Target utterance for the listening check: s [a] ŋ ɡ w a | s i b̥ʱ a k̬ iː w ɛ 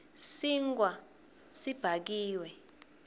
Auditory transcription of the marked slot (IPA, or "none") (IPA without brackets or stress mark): i